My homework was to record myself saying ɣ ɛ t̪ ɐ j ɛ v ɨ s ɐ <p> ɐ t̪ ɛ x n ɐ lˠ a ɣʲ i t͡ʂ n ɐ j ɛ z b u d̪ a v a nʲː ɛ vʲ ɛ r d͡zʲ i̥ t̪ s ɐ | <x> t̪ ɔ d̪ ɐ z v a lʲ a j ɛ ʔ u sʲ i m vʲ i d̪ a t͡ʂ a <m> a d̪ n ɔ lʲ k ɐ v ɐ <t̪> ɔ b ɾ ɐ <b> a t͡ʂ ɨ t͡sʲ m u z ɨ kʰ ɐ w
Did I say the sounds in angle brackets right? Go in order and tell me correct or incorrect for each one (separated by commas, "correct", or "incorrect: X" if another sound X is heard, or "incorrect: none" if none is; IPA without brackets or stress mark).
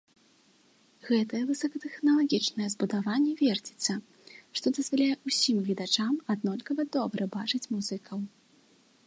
incorrect: k, incorrect: ʂ, correct, incorrect: d̪, correct